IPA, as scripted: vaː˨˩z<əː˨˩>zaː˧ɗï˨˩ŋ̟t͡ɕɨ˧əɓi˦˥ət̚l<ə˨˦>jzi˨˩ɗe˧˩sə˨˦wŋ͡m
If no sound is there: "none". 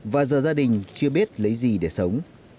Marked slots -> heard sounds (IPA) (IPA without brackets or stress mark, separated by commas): əː˨˩, ə˨˦